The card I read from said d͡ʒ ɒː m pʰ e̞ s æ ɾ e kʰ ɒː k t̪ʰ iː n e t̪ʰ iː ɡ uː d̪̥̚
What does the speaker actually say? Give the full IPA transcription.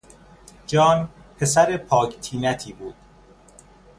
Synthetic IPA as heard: d͡ʒ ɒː n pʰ e̞ s æ ɾ e pʰ ɒː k t̪ʰ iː n æ t̪ʰ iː b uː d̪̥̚